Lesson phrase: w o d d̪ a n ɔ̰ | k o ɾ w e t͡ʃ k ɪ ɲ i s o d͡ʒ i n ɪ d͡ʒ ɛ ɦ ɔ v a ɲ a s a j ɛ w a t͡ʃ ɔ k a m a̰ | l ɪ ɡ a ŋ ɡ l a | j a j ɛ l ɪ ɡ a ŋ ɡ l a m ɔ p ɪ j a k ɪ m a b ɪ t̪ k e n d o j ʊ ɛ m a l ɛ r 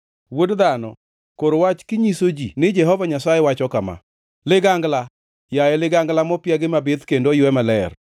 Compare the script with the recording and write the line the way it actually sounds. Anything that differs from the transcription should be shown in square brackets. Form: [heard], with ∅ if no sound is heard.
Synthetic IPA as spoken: w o d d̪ a n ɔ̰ | k o ɾ w [a] t͡ʃ k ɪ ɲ i s o d͡ʒ i n ɪ d͡ʒ ɛ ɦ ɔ v a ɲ a s a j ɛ w a t͡ʃ ɔ k a m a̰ | l ɪ ɡ a ŋ ɡ l a | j a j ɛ l ɪ ɡ a ŋ ɡ l a m ɔ p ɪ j a [ɡ] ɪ m a b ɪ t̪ k e n d o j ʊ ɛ m a l ɛ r